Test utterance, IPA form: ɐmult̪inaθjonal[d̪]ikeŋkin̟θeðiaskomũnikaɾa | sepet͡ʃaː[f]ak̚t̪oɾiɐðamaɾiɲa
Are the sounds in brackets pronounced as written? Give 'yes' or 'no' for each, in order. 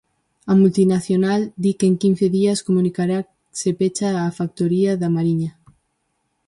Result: yes, yes

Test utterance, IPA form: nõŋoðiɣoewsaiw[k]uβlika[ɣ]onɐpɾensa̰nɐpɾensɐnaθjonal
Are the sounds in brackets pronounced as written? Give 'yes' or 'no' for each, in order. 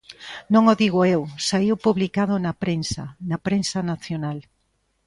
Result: no, no

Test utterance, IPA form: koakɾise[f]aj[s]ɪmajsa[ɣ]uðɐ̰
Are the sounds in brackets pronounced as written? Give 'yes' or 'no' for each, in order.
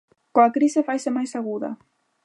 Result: yes, yes, yes

